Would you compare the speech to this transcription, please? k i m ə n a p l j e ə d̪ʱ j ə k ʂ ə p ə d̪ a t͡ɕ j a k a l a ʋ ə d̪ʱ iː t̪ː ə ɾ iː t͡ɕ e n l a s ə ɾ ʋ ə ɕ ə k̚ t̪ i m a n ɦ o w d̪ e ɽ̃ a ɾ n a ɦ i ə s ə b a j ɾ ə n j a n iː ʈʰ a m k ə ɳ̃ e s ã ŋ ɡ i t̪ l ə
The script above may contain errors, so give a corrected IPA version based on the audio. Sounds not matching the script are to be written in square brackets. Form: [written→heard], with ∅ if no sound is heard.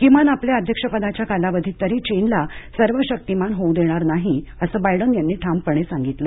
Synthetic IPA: k i m [ə→a] n a p l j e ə d̪ʱ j ə k ʂ ə p ə d̪ a t͡ɕ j a k a l a ʋ ə d̪ʱ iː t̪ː ə ɾ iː t͡ɕ e n l a s ə ɾ ʋ ə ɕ ə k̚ t̪ i m a n ɦ o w d̪ e ɽ̃ a ɾ n a ɦ i ə s ə b a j [ɾ→ɽ] ə n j a [n→nː] iː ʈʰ a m [k→p] ə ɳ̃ e s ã ŋ ɡ i t̪ l ə